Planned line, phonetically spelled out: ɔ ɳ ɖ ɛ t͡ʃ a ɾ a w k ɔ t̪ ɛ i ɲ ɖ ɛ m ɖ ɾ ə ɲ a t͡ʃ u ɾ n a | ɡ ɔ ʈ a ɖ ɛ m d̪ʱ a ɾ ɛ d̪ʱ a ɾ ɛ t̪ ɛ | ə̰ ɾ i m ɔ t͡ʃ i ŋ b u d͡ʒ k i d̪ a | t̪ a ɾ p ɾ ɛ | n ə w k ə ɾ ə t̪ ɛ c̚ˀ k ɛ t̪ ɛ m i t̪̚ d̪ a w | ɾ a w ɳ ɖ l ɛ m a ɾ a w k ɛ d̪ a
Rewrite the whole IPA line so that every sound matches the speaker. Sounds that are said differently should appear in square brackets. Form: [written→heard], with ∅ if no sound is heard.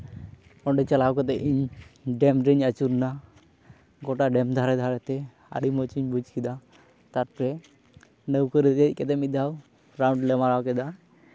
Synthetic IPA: ɔ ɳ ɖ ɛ t͡ʃ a [ɾ→l] a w k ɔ t̪ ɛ i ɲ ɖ ɛ m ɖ ɾ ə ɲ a t͡ʃ u ɾ n a | ɡ ɔ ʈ a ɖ ɛ m d̪ʱ a ɾ ɛ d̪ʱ a ɾ ɛ t̪ ɛ | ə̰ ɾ i m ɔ t͡ʃ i [ŋ→ɲ] b u d͡ʒ k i d̪ a | t̪ a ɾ p ɾ ɛ | n ə w k ə ɾ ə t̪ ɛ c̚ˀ k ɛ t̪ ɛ m i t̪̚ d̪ a w | ɾ a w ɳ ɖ l ɛ m a ɾ a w k ɛ d̪ a

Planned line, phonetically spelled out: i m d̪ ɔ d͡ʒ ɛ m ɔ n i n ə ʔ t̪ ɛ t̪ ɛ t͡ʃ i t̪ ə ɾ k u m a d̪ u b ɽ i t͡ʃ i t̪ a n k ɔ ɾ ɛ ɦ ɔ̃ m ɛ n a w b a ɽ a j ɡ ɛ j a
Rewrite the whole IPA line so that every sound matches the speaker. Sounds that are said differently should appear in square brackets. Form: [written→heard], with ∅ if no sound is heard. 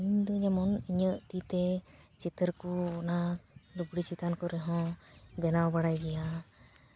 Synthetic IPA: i [m→ɲ] d̪ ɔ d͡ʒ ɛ m ɔ n i [n→ɲ] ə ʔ t̪ [ɛ→i] t̪ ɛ t͡ʃ i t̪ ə ɾ k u [m→n] a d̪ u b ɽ i t͡ʃ i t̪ a n k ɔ ɾ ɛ ɦ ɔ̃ [m→b] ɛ n a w b a ɽ a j ɡ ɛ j a

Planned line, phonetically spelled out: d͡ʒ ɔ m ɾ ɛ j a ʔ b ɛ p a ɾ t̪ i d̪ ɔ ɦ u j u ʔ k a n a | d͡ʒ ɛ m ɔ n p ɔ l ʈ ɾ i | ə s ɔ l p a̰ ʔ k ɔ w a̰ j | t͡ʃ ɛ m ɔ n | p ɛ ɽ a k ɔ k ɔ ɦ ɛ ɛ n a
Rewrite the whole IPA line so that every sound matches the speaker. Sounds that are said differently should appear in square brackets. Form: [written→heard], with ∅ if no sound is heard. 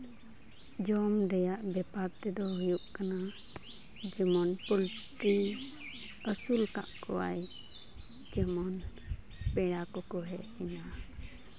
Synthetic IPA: d͡ʒ ɔ m ɾ ɛ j a ʔ b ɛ p a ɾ t̪ [i→ɛ] d̪ ɔ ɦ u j u ʔ k a n a | d͡ʒ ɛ m ɔ n p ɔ l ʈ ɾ i | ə s [ɔ→u] l [p→k] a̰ ʔ k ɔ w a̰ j | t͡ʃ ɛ m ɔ n | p ɛ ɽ a k ɔ k ɔ ɦ ɛ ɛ n a

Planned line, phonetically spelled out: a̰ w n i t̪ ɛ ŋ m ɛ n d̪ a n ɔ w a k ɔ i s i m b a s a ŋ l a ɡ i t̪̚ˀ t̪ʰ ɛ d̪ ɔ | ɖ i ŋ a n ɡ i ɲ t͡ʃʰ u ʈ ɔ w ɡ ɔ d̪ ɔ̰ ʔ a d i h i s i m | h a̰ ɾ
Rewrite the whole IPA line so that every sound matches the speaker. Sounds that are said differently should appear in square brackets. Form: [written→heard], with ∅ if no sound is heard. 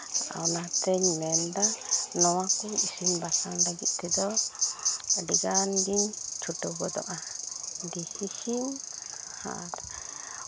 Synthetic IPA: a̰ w n [i→a] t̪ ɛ [ŋ→ɲ] m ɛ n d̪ a n ɔ w a k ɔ i s i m b a s a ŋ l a ɡ i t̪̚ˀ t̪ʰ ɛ d̪ ɔ | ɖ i [ŋ→ɡ] a n ɡ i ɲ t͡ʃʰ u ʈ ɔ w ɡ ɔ d̪ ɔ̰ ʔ a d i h i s i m | h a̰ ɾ

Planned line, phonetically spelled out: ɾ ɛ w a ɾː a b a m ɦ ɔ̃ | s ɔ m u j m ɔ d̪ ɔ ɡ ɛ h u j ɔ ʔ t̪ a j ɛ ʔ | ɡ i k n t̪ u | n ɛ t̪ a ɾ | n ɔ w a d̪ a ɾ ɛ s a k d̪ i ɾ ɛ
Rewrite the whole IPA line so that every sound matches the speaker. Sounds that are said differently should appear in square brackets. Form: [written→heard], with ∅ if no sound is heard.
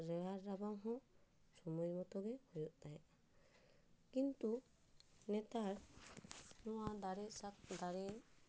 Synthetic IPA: ɾ ɛ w a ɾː a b a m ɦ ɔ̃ | s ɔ m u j m ɔ [d̪→t̪] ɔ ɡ ɛ h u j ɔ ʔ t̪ a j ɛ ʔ | [ɡ→k] i [k→∅] n t̪ u | n ɛ t̪ a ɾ | n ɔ w a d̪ a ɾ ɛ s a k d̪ [i→a] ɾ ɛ

